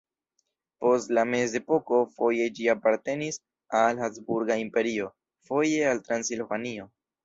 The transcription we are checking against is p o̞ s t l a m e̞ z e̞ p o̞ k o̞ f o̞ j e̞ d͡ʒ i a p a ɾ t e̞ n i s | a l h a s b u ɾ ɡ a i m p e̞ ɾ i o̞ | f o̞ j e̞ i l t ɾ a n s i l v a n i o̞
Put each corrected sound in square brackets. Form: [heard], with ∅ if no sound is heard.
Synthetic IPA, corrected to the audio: p o̞ s t l a m e̞ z e̞ p o̞ k o̞ f o̞ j e̞ d͡ʒ i a p a ɾ t e̞ n i s | a l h a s b u ɾ ɡ a i m p e̞ ɾ i o̞ | f o̞ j e̞ [a] l t ɾ a n s i l v a n i o̞

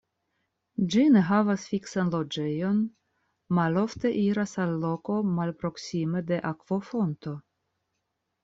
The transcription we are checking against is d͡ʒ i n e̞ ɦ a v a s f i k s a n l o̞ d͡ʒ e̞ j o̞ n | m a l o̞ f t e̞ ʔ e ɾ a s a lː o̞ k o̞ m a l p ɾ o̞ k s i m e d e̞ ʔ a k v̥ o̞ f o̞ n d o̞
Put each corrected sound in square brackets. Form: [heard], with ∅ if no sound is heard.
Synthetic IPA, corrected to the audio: d͡ʒ i n e̞ ɦ a v a s f i k s a n l o̞ d͡ʒ e̞ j o̞ n | m a l o̞ f t e̞ ʔ [i] ɾ a s a lː o̞ k o̞ m a l p ɾ o̞ k s i m e d e̞ ʔ a k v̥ o̞ f o̞ n [t] o̞

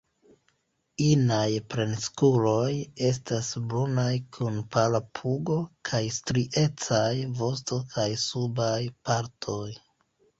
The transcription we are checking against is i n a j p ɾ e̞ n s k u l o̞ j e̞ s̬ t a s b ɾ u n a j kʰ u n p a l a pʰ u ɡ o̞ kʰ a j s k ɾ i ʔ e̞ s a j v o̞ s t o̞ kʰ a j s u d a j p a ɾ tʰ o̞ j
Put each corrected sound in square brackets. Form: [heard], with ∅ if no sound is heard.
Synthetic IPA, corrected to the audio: i n a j p ɾ e̞ n s k u l o̞ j e̞ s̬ t a s b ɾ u n a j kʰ u n p a l a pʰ u ɡ o̞ kʰ a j s [t] ɾ i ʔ e̞ [t͡s] a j v o̞ s t o̞ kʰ a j s u [b] a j p a ɾ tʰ o̞ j

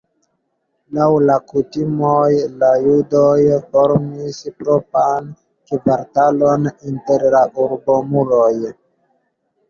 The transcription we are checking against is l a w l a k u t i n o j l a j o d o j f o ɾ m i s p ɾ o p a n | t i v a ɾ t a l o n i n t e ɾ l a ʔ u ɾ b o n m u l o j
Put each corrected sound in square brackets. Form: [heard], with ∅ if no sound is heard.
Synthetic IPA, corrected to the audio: l a w l a k u t i [m] o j l a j [u] d o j f o ɾ m i s p ɾ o p a n | [k] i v a ɾ t a l o n i n t e ɾ l a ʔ u ɾ b o [∅] m u l o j

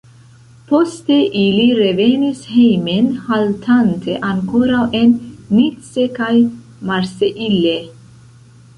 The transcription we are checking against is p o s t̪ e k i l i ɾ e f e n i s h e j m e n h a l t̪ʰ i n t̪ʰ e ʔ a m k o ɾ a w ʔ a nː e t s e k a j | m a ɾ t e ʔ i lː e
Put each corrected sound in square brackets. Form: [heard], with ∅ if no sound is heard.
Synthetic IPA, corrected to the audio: p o s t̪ e [ʔ] i l i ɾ e [v] e n i s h e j m e n h a l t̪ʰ [a] n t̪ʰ e ʔ a [ŋ] k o ɾ a w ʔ [e] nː [i] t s e k a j | m a ɾ [s] e ʔ i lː e

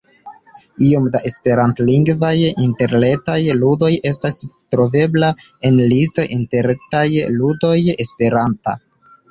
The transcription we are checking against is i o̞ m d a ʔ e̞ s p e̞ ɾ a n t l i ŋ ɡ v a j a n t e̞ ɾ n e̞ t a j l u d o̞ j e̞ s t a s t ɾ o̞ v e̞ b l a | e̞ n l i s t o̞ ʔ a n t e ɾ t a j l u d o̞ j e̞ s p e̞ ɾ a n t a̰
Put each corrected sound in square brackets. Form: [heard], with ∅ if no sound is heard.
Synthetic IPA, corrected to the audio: i o̞ m d a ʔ e̞ s p e̞ ɾ a n t l i ŋ ɡ v a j [i] n t e̞ ɾ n e̞ t a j l u d o̞ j e̞ s t a s t ɾ o̞ v e̞ b l a | e̞ n l i s t o̞ ʔ [i] n t e ɾ t a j l u d o̞ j e̞ s p e̞ ɾ a n t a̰

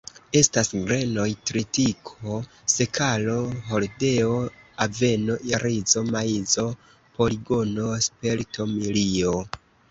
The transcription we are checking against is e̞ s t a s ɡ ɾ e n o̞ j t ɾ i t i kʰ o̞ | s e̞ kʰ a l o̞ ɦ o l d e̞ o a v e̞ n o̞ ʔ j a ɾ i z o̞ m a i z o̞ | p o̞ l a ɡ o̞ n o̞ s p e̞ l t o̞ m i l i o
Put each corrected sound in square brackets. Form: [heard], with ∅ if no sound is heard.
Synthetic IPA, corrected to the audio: e̞ s t a s ɡ ɾ e n o̞ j t ɾ i t i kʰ o̞ | s e̞ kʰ a l o̞ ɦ o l d e̞ o a v e̞ n o̞ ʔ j a ɾ i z o̞ m a i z o̞ | p o̞ l [i] ɡ o̞ n o̞ s p e̞ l t o̞ m i l i o

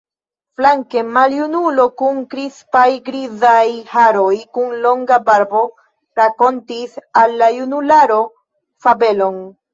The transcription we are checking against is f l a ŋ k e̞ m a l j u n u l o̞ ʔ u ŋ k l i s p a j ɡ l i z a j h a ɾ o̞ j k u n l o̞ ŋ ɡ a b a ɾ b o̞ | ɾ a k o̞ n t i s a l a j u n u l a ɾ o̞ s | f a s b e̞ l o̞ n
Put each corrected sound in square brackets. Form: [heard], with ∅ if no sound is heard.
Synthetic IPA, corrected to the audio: f l a ŋ k e̞ m a l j u n u l o̞ [k] u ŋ k [ɾ] i s p a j ɡ [ɾ] i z a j h a ɾ o̞ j k u n l o̞ ŋ ɡ a b a ɾ b o̞ | ɾ a k o̞ n t i s a [lː] a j u n u l a ɾ o̞ [∅] | f a [∅] b e̞ l o̞ n

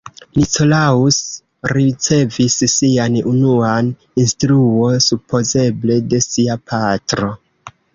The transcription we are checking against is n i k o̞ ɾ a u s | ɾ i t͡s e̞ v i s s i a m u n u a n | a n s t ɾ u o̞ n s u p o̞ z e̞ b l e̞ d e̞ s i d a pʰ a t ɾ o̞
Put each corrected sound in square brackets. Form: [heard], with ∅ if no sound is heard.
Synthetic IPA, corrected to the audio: n i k o̞ [l] a u s | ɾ i t͡s e̞ v i s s i a [n] u n u a n | [i] n s t ɾ u o̞ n s u p o̞ z e̞ b l e̞ d e̞ s i [∅] a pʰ a t ɾ o̞

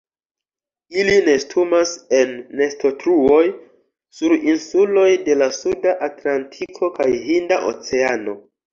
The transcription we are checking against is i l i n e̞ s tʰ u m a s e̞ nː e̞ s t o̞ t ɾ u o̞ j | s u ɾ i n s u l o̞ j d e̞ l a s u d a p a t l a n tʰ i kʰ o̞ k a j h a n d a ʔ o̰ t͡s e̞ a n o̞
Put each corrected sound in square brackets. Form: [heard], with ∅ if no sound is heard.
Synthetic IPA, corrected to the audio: i l i n e̞ s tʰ u m a s e̞ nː e̞ s t o̞ t ɾ u o̞ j | s u ɾ i n s u l o̞ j d e̞ l a s u d a [ʔ] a t l a n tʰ i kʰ o̞ k a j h [i] n d a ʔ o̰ t͡s e̞ a n o̞

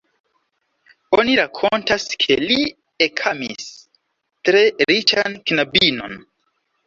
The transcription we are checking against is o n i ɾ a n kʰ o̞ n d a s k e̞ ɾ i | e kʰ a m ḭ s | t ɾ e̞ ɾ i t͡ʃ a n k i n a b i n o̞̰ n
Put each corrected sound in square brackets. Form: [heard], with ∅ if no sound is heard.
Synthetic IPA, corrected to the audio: o n i ɾ a [∅] kʰ o̞ n [t] a s [kʰ] e̞ [l] i | e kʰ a m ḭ s | t ɾ e̞ ɾ i t͡ʃ a n k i n a b i n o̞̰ n

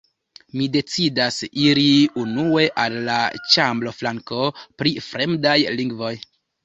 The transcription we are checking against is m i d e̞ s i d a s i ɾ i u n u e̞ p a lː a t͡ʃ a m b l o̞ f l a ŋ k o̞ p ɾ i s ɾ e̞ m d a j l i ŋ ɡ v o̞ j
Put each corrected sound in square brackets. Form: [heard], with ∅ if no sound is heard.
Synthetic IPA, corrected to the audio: m i d e̞ [t͡s] i d a s i ɾ i u n u e̞ [ʔ] a lː a t͡ʃ a m b l o̞ f l a ŋ k o̞ p ɾ i [f] ɾ e̞ m d a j l i ŋ ɡ v o̞ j

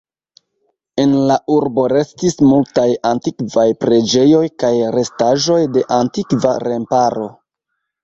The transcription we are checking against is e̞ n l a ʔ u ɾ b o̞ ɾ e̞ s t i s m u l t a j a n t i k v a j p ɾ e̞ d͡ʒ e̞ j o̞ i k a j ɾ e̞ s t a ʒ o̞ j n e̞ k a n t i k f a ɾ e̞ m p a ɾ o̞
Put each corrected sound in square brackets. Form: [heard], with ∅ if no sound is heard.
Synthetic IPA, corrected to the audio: e̞ n l a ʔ u ɾ b o̞ ɾ e̞ s t i s m u l t a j a n t i k v a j p ɾ e̞ d͡ʒ e̞ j o̞ [j] k a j ɾ e̞ s t a ʒ o̞ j [d] e̞ [ʔ] a n t i k [v] a ɾ e̞ m p a ɾ o̞

